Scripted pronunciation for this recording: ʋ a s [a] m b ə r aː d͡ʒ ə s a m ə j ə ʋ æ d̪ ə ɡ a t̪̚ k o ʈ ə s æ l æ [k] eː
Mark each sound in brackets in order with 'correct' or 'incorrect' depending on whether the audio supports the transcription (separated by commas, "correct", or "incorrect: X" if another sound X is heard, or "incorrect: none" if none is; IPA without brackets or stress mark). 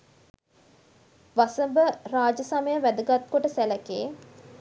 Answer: incorrect: ə, correct